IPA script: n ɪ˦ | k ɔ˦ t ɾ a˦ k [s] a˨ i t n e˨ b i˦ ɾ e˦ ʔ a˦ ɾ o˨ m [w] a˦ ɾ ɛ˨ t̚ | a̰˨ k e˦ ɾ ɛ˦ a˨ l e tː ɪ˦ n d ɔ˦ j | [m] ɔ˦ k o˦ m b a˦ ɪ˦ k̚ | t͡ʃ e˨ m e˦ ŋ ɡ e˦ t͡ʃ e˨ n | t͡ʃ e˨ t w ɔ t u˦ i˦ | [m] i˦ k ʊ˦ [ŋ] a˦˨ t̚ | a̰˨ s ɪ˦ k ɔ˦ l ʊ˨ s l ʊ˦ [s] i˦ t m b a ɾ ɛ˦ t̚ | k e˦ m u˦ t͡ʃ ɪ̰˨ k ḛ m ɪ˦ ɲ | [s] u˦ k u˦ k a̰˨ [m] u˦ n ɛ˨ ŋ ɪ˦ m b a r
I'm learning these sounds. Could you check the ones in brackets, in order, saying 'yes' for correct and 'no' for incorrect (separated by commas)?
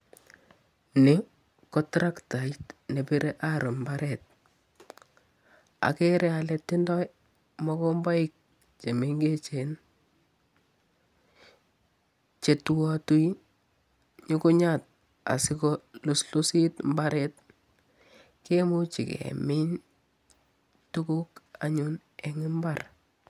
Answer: no, no, yes, no, no, yes, no, no